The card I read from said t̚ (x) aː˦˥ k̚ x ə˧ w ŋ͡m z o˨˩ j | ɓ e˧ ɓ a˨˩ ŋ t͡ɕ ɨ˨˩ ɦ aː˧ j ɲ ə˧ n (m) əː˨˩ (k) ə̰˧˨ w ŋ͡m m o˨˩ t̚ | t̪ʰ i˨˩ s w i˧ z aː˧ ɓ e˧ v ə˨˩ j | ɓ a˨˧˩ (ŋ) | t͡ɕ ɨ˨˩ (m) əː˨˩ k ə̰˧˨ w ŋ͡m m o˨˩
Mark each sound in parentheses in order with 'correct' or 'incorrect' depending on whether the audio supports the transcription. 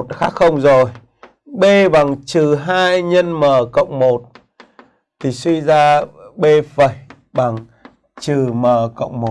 correct, correct, correct, correct, correct

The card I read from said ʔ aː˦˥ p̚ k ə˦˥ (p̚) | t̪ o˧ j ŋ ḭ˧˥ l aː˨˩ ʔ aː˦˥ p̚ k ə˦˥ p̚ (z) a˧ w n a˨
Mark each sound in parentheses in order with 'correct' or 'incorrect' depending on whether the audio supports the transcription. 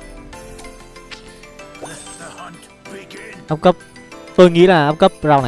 correct, correct

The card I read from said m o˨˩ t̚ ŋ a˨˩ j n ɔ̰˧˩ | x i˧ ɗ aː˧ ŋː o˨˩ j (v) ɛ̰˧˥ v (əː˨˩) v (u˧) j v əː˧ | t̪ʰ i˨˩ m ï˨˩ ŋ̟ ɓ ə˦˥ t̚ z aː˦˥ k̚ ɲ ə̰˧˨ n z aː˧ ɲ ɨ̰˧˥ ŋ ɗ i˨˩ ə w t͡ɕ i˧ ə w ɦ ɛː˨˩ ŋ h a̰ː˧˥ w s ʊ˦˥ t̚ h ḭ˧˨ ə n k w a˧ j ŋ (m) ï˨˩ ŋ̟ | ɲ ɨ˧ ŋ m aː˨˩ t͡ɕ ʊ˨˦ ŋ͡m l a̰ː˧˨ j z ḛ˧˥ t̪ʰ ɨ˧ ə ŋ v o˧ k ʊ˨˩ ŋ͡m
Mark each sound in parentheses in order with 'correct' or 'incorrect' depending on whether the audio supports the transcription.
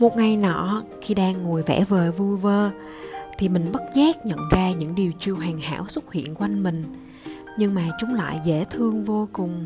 correct, correct, correct, correct

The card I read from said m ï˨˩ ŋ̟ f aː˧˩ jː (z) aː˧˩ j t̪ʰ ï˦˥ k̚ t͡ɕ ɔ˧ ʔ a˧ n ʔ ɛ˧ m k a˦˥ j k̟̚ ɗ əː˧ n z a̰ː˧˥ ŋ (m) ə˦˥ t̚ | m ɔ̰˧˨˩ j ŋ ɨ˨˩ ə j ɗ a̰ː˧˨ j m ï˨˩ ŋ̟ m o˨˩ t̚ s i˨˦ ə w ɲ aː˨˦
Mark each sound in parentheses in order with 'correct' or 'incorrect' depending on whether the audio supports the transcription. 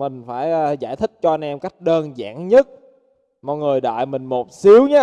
correct, incorrect: ɲ

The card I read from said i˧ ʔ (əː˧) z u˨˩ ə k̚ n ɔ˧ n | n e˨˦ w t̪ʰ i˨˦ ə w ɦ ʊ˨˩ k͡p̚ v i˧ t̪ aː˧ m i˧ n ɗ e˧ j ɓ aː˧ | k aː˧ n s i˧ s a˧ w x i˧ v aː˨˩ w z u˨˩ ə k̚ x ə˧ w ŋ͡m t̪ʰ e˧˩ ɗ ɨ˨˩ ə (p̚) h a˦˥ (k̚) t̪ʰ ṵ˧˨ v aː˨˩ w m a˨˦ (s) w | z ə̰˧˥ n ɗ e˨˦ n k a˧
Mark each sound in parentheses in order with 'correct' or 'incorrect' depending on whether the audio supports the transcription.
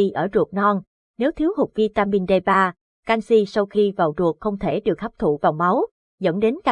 incorrect: əː˧˩, incorrect: k̚, incorrect: p̚, incorrect: none

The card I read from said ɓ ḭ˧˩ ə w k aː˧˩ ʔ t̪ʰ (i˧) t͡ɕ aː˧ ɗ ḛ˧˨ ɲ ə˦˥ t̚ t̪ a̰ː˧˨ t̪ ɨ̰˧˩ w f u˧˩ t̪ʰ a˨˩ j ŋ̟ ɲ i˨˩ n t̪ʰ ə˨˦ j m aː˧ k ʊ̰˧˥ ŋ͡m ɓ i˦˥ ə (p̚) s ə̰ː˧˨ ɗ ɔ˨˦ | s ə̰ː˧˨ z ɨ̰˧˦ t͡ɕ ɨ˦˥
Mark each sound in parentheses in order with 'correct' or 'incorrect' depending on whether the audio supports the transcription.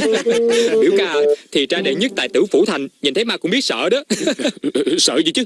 incorrect: i˨˩, incorrect: t̚

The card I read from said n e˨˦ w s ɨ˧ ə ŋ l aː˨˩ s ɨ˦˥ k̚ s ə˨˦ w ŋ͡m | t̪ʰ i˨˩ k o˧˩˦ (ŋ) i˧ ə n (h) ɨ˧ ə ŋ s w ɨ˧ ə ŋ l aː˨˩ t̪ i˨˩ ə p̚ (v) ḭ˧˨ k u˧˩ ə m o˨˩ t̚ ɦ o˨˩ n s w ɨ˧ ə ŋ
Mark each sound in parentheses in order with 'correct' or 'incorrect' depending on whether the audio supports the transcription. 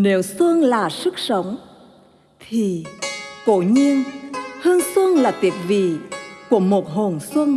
incorrect: ɲ, correct, correct

